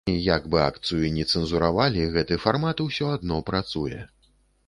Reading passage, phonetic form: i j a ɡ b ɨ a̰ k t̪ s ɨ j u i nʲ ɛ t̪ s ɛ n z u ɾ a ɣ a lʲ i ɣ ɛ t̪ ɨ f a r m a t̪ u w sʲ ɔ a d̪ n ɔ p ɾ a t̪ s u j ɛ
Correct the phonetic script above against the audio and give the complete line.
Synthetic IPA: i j a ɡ b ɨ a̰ k t̪ s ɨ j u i nʲ ɛ t̪ s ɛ n z u ɾ a v a lʲ i ɣ ɛ t̪ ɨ f a r m a t̪ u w sʲ ɔ a d̪ n ɔ p ɾ a t̪ s u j ɛ

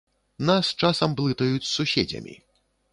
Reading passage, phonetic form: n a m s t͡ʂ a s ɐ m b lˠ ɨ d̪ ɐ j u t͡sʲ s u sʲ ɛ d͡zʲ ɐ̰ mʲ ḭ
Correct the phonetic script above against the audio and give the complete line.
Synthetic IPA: n a s t͡ʂ a s ɐ m b lˠ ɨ t̪ ɐ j u t͡sʲ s u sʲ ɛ d͡zʲ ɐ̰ mʲ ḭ

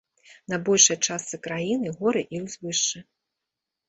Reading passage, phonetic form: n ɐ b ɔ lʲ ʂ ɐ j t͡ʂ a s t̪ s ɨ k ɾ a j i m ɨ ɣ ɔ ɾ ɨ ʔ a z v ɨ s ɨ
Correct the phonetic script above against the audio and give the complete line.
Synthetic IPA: n ɐ b ɔ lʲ ʂ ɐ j t͡ʂ a s t̪ s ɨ k ɾ a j i n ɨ ɣ ɔ ɾ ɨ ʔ i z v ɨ ʂ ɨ

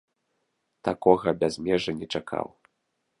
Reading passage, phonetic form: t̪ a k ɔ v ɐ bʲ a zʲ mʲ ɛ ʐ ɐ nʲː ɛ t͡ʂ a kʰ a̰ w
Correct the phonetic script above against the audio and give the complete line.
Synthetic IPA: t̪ a k ɔ ɣ ɐ bʲ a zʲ mʲ ɛ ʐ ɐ nʲ ɛ t͡ʂ a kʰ a̰ w

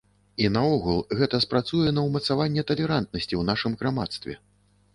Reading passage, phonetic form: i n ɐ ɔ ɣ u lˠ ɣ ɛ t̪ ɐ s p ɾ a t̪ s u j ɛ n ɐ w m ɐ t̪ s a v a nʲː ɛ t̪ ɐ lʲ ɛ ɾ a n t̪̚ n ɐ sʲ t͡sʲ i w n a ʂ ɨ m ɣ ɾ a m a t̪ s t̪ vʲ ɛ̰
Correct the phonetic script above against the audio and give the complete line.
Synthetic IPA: i n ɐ ɔ ɣ u lˠ ɣ ɛ t̪ ɐ s p ɾ a t̪ s u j ɛ n ɐ w m ɐ t̪ s a v a nʲː ɛ t̪ ɐ lʲ ɛ ɾ a n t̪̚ n ɐ sʲ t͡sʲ i w n a ʂ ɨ m ɣ ɾ a m a t̪ s t̪ vʲ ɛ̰

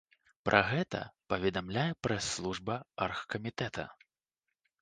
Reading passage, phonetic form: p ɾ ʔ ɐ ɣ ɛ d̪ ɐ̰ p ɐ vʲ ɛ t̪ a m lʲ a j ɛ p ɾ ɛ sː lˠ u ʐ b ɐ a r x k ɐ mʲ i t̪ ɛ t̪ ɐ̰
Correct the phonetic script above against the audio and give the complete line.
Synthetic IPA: p ɾ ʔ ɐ ɣ ɛ t̪ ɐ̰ p ɐ vʲ ɛ d̪ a m lʲ a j ɛ p ɾ ɛ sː lˠ u ʐ b ɐ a r x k ɐ mʲ i t̪ ɛ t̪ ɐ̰

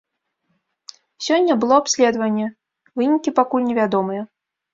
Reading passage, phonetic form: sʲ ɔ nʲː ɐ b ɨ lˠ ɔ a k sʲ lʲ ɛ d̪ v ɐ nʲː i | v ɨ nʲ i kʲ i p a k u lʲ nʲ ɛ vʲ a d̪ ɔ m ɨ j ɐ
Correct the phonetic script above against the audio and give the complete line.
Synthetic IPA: sʲ ɔ nʲː ɐ b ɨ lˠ ɔ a p sʲ lʲ ɛ d̪ v ɐ nʲː ɛ | v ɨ nʲ i kʲ i p a k u lʲ nʲ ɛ vʲ a d̪ ɔ m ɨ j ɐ

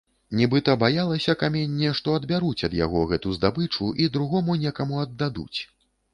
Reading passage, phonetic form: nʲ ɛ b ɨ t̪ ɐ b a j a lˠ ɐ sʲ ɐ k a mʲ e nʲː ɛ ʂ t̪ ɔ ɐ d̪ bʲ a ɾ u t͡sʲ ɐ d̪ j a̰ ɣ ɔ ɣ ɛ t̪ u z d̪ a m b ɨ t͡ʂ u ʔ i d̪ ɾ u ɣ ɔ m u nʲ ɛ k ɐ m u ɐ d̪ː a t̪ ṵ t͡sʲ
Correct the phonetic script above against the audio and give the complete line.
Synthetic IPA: nʲ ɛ b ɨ t̪ ɐ b a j a lˠ ɐ sʲ ɐ k a mʲ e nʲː ɛ ʂ t̪ ɔ ɐ d̪ bʲ a ɾ u t͡sʲ ɐ d̪ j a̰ ɣ ɔ ɣ ɛ t̪ u z d̪ a b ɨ t͡ʂ u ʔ i d̪ ɾ u ɣ ɔ m u nʲ ɛ k ɐ m u ɐ d̪ː a d̪ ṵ t͡sʲ

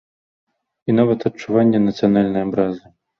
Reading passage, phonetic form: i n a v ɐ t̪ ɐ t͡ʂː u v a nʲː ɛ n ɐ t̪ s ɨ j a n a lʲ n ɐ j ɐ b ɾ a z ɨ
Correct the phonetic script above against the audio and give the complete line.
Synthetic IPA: i n a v ɐ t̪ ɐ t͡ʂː u v a nʲː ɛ n ɐ t̪ s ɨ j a n a lʲ n ɐ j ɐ b ɾ a z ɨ

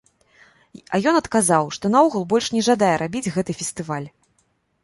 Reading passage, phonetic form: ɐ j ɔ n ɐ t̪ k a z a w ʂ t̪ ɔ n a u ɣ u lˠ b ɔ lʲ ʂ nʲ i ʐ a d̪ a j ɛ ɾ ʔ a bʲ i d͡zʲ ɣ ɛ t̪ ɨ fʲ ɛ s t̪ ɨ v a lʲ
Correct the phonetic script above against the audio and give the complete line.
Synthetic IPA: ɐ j ɔ n ɐ t̪ k a z a w ʂ t̪ ɔ n a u ɣ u lˠ b ɔ lʲ ʂ nʲ ɛ ʐ a d̪ a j ɛ ɾ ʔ a bʲ i d͡zʲ ɣ ɛ t̪ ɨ fʲ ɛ s t̪ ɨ v a lʲ

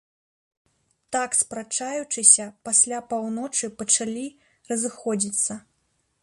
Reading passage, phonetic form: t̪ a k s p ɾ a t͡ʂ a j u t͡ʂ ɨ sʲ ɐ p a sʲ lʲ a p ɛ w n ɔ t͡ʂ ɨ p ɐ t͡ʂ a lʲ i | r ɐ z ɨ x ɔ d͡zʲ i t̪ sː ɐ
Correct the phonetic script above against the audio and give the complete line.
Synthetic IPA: t̪ a k s p ɾ a t͡ʂ a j u t͡ʂ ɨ sʲ ɐ p a sʲ lʲ a p a w n ɔ t͡ʂ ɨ p ɐ t͡ʂ a lʲ i | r ɐ z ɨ x ɔ d͡zʲ i t̪ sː ɐ

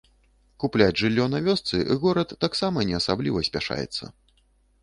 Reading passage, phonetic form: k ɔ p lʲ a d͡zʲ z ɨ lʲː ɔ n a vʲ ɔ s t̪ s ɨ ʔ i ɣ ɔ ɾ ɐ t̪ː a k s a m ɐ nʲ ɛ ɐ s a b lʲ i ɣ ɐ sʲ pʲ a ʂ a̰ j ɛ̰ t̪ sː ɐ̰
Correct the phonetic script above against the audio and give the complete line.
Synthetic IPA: k u p lʲ a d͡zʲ ʐ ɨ lʲː ɔ n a vʲ ɔ s t̪ s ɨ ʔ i ɣ ɔ ɾ ɐ t̪ː a k s a m ɐ nʲ ɛ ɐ s a b lʲ i v ɐ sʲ pʲ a ʂ a̰ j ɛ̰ t̪ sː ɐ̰

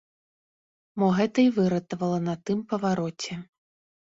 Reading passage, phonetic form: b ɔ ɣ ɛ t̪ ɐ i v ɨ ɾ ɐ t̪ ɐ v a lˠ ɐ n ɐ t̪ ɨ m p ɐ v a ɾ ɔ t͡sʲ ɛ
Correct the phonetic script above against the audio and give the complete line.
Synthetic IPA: m ɔ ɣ ɛ t̪ ɐ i v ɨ ɾ ɐ t̪ ɐ v ɐ lˠ ɐ n ɐ t̪ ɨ m p ɐ v a ɾ ɔ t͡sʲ ɛ

